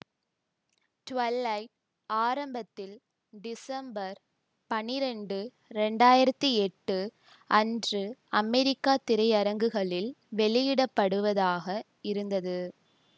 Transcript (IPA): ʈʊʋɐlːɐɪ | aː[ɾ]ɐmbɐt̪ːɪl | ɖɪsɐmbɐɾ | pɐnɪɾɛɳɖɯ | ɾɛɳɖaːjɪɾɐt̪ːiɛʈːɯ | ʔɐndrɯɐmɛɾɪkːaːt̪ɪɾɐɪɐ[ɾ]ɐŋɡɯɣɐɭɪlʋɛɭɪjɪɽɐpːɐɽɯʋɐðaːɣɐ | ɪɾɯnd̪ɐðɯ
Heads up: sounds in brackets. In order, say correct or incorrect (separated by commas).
correct, correct